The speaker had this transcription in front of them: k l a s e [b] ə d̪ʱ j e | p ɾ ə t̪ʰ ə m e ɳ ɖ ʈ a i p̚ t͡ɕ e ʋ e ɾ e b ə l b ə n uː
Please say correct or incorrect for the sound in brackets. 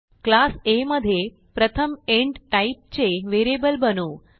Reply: incorrect: m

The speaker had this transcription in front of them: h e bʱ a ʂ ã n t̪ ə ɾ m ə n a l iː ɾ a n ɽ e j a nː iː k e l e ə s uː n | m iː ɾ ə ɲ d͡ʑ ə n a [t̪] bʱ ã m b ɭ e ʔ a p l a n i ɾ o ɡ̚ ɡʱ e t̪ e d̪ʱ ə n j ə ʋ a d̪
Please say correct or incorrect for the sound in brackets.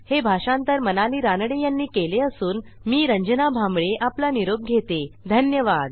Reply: incorrect: none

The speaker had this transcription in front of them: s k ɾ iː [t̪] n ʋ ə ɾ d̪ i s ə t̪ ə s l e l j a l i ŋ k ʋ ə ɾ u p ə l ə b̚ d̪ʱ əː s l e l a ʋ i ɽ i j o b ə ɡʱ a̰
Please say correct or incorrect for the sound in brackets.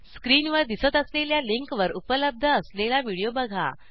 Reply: incorrect: none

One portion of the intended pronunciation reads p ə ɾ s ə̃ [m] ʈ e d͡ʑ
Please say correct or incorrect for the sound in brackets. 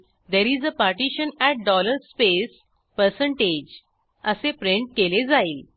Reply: incorrect: ɳ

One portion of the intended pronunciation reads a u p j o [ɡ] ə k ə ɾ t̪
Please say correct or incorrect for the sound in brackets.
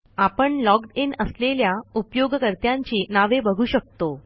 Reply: correct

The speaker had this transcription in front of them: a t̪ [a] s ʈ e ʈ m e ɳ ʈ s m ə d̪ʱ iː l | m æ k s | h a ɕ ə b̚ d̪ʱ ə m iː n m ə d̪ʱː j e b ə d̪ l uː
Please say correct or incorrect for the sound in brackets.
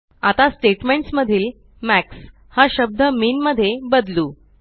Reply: correct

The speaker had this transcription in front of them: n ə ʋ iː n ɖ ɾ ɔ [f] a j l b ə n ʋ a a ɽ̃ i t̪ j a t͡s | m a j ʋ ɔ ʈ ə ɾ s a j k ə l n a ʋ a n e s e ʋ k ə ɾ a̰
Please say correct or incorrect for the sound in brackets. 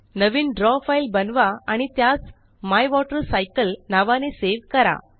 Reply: correct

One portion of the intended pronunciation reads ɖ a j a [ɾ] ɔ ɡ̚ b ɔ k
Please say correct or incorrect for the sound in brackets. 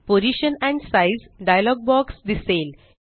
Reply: incorrect: l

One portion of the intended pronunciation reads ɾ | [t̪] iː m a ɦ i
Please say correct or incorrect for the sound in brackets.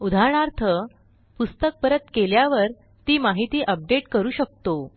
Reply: correct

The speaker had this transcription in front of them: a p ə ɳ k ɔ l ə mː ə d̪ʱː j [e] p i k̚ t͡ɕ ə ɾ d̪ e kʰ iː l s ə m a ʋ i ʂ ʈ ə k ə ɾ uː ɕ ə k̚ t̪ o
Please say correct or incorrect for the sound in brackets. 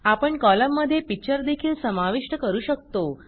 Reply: correct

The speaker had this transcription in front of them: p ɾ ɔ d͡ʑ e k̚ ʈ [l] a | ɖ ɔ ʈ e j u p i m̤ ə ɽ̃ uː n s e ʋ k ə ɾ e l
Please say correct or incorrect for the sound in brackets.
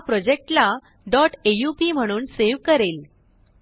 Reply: correct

